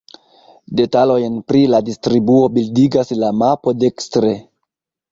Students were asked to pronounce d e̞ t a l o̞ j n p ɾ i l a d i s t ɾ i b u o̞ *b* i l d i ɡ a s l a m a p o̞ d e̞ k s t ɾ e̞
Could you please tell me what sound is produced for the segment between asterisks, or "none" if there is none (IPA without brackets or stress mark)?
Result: b